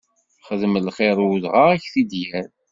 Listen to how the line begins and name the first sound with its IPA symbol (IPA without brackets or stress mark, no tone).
χ